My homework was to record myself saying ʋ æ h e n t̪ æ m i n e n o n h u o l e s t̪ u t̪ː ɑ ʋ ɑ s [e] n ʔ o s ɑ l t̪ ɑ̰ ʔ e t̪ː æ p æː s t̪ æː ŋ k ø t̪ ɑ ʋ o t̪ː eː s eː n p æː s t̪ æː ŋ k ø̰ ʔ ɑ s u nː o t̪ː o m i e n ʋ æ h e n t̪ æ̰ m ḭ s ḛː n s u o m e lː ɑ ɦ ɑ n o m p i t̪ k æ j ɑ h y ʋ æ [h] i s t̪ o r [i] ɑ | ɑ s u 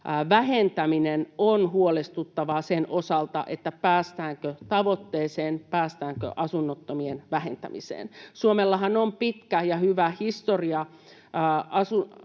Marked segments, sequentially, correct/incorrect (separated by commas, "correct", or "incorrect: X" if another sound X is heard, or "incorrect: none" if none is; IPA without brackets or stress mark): correct, correct, correct